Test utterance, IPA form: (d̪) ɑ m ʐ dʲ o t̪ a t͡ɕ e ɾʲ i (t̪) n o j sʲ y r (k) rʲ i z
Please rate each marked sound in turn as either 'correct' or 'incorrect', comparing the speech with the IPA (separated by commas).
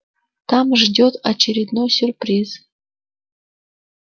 incorrect, incorrect, incorrect